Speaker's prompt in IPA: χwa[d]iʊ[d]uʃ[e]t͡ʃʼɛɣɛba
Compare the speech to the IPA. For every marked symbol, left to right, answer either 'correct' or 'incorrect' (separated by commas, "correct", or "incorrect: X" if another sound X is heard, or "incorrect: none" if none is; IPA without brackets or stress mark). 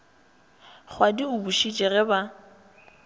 correct, incorrect: b, incorrect: i